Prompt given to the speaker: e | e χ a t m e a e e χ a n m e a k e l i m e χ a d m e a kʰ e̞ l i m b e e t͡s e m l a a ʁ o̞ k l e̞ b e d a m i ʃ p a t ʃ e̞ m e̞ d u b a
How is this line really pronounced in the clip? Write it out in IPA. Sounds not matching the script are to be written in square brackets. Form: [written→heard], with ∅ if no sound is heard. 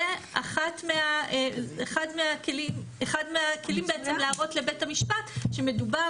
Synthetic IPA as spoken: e | [e→a] χ a t m e a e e χ a [n→d] m e a k e l i m e χ a d m e a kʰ e̞ l i m b e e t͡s e m l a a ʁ o̞ [k→t] l e̞ b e [d→t] a m i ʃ p a t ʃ e̞ m e̞ d u b a